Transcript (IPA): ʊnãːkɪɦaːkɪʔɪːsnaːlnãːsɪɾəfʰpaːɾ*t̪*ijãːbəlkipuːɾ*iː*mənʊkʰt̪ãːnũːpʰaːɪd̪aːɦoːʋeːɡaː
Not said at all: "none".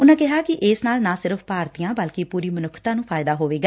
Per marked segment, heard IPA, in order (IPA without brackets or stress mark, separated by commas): t̪, iː